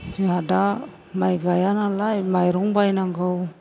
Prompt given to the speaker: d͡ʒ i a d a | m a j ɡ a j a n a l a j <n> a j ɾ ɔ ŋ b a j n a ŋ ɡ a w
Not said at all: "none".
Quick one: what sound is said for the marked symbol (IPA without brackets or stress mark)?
m